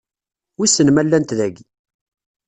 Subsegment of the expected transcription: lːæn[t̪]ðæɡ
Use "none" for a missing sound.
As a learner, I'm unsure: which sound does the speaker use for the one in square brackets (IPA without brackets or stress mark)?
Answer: t̪